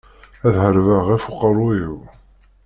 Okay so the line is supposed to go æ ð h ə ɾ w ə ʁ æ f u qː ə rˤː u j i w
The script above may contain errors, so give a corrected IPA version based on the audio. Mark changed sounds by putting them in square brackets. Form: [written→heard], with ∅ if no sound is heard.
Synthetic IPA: æ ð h ə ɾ [w→v] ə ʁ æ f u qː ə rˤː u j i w